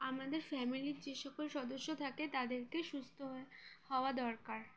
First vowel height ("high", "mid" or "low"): low